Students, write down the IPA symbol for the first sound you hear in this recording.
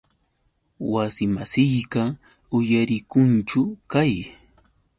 w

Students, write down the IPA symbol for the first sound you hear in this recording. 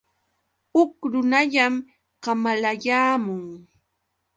ʊ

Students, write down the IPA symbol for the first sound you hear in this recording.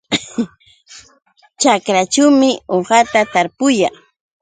t͡ʃ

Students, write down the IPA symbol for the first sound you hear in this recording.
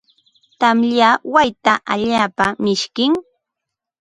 t̪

